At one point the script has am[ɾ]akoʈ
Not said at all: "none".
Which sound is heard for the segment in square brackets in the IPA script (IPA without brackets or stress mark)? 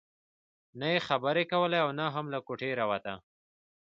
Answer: l